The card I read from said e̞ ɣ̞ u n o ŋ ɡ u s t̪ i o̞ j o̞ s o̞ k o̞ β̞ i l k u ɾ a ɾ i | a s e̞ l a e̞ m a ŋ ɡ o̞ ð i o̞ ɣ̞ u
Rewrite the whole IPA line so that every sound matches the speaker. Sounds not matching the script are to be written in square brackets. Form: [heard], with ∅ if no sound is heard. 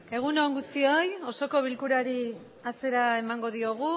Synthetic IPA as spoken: e̞ ɣ̞ u n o ŋ ɡ u s t̪ i o̞ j o̞ s o̞ k o̞ β̞ i l k u ɾ a ɾ i | a s e̞ [ɾ] a e̞ m a ŋ ɡ o̞ ð i o̞ ɣ̞ u